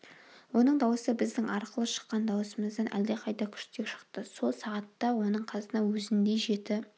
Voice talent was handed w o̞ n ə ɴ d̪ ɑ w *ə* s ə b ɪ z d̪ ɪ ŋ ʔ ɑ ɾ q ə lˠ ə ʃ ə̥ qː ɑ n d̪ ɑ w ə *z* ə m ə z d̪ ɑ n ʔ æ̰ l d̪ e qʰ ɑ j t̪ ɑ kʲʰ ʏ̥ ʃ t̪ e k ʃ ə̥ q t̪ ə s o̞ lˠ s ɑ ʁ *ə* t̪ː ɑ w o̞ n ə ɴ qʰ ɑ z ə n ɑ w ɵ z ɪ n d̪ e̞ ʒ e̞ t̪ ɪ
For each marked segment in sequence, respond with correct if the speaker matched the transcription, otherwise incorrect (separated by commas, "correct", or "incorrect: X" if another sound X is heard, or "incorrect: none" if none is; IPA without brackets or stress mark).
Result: correct, incorrect: s, incorrect: ɑ